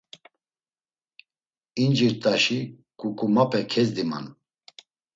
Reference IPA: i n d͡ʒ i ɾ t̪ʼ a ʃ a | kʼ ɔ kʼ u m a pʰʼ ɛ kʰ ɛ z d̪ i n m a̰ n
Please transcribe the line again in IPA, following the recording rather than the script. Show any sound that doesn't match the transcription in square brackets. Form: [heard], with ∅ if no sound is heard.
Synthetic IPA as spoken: i n d͡ʒ i ɾ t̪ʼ a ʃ [i] | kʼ [u] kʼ u m a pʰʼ ɛ kʰ ɛ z d̪ i [∅] m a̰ n